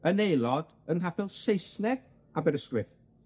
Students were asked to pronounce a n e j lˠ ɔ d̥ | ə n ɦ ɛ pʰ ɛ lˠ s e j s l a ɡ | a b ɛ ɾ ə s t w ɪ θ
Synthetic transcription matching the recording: ə n e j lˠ ɔ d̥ | ə n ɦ a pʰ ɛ lˠ s e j s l ɛ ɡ | a b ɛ ɾ ə s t w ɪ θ